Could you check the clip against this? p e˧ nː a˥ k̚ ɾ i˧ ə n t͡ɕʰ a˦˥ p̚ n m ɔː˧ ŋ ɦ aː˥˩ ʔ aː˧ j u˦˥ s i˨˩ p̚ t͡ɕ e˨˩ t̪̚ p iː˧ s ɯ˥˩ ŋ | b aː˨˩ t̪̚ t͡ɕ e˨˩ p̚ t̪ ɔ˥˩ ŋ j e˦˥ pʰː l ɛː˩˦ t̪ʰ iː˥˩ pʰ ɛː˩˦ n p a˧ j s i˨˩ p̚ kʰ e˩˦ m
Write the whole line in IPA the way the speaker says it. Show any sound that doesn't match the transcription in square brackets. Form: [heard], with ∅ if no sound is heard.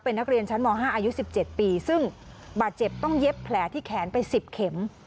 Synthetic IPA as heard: p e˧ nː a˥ k̚ ɾ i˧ ə n t͡ɕʰ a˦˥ [∅] n m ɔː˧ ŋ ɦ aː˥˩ ʔ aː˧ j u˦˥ s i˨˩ p̚ t͡ɕ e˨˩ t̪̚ p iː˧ s ɯ˥˩ ŋ | b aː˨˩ t̪̚ t͡ɕ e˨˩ p̚ t̪ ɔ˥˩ ŋ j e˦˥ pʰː l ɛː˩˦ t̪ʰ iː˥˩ [kʰ] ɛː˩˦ n p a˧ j s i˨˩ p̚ kʰ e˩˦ m